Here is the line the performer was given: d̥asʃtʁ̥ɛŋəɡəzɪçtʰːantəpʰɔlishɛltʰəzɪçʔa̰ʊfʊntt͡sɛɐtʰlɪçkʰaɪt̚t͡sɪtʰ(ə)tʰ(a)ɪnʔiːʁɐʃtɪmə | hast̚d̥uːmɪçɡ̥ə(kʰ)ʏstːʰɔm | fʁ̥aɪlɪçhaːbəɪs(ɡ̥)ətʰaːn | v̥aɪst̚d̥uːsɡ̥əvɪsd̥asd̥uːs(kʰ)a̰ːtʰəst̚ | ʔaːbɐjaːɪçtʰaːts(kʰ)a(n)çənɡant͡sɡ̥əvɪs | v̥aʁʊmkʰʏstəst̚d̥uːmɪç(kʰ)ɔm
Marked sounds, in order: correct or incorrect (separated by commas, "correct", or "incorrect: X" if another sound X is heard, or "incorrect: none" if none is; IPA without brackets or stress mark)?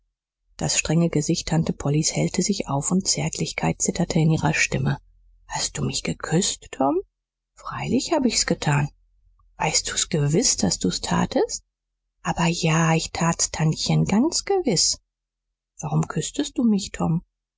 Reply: incorrect: ɐ, incorrect: ə, correct, correct, incorrect: tʰ, incorrect: tʰ, correct, incorrect: tʰ